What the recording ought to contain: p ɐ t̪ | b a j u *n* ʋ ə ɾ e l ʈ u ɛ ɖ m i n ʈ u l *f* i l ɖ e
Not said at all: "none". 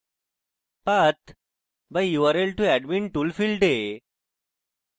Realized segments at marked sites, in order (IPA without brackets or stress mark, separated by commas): none, f